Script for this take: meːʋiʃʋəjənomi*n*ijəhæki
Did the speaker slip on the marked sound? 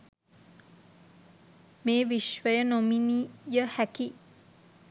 no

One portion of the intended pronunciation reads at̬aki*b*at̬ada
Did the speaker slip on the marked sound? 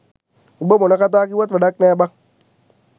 yes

